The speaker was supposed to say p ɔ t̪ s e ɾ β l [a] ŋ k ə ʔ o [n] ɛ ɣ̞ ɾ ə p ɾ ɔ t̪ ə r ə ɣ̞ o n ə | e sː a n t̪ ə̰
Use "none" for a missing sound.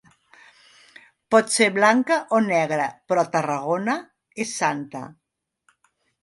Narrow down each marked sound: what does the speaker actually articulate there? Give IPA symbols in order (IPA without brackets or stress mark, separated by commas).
a, n